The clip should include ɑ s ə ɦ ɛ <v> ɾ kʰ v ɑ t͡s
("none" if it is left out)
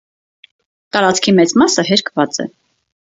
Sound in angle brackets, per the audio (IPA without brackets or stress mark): none